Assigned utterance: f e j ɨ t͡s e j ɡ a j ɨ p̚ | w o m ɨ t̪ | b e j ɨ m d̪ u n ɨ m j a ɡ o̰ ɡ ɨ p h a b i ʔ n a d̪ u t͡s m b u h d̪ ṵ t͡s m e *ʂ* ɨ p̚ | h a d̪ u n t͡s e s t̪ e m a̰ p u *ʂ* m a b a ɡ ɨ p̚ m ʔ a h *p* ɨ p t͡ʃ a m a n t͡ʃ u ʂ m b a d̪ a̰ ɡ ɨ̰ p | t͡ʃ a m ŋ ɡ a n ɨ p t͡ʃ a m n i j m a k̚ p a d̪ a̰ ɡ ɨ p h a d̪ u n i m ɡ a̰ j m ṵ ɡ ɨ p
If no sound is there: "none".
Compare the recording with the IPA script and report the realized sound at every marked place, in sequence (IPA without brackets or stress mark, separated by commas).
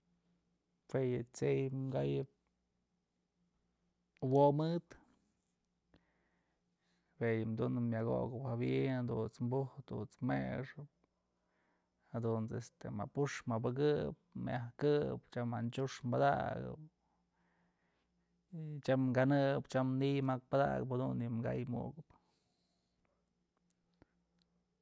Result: ʂ, ʂ, k